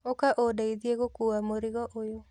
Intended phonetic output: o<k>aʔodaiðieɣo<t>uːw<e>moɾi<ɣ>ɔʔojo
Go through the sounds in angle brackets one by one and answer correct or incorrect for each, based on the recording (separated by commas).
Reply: correct, incorrect, incorrect, correct